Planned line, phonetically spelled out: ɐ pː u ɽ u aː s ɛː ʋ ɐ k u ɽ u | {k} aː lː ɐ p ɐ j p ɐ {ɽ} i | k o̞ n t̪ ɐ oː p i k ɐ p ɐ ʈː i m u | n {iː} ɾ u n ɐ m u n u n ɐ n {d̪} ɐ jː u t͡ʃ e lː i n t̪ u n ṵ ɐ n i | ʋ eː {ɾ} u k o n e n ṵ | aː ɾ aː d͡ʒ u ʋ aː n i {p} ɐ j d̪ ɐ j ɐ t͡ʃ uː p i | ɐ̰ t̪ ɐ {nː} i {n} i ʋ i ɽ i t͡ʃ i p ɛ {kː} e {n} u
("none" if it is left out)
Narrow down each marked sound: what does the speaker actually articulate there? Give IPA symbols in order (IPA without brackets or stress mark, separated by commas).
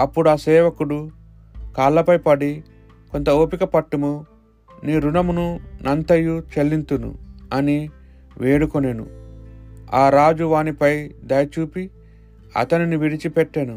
k, ɽ, iː, t̪, ɽ, p, n, n, ʈː, n